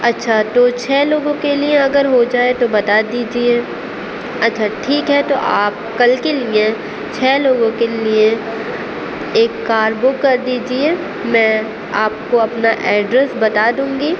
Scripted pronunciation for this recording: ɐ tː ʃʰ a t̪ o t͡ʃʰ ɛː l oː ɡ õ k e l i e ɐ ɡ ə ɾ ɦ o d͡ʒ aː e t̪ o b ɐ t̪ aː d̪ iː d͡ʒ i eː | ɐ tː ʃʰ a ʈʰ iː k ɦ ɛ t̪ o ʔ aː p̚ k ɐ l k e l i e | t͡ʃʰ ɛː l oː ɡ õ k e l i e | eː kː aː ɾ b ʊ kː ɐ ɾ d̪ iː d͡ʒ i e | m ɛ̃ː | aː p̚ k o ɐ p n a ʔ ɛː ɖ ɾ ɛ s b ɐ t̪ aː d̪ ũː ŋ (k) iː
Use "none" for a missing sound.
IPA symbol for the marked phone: ɡ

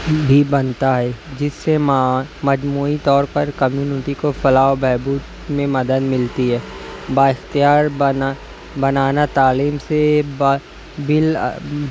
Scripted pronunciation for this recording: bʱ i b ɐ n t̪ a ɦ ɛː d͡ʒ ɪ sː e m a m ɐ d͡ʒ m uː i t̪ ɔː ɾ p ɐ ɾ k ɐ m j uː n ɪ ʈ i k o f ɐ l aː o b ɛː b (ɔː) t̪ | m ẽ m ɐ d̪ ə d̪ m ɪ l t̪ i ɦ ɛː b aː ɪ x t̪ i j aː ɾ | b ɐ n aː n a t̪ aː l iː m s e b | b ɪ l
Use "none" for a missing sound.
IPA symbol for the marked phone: uː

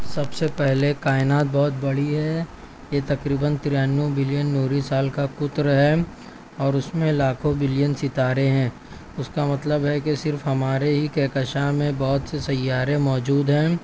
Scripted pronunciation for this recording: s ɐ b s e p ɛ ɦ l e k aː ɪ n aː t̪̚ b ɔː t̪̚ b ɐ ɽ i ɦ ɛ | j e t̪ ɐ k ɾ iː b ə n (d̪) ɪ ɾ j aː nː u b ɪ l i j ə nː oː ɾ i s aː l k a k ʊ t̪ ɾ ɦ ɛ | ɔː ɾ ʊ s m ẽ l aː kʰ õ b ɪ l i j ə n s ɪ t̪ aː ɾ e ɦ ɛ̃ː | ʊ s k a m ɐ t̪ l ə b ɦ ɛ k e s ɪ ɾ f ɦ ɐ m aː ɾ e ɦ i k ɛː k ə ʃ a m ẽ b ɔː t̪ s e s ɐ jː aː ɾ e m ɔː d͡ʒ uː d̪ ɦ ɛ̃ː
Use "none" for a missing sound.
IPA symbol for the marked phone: t̪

